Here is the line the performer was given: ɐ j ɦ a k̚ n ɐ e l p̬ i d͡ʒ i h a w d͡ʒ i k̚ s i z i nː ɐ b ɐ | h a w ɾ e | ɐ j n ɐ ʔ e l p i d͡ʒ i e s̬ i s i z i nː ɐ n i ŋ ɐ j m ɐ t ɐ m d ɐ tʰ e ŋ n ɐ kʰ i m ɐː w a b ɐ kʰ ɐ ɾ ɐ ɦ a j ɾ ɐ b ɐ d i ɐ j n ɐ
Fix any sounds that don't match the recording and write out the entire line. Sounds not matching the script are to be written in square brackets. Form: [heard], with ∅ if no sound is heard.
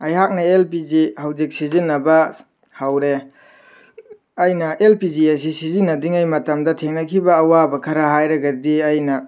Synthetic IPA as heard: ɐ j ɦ a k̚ n ɐ e l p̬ i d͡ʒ i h a w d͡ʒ i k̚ s i z i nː ɐ b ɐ | h a w ɾ e | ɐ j n ɐ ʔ e l p i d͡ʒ i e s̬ i s i z i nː ɐ [d] i ŋ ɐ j m ɐ t ɐ m d ɐ tʰ e ŋ n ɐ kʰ i [b] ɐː w a b ɐ kʰ ɐ ɾ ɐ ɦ a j ɾ ɐ [ɡ] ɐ d i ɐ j n ɐ